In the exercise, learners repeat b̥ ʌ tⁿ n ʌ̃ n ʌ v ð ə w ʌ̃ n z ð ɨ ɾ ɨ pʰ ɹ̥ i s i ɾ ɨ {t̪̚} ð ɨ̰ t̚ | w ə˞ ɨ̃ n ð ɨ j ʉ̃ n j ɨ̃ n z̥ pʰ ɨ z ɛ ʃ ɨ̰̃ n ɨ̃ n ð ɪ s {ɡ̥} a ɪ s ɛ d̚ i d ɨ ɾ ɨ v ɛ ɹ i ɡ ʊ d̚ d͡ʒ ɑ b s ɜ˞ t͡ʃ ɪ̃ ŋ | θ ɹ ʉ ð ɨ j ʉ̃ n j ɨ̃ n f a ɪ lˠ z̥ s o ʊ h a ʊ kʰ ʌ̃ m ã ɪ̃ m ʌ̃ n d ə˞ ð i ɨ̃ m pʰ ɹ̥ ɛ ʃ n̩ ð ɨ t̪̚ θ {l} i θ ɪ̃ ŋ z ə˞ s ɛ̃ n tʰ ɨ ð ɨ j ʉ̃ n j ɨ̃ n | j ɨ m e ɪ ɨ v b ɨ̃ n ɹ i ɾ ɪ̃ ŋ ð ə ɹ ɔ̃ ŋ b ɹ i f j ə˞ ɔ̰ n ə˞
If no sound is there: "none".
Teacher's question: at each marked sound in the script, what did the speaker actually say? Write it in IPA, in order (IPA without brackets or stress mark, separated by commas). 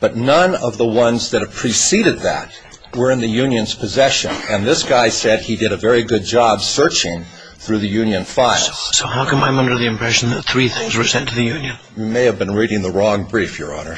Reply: d̪̚, ɡ̥, ɹ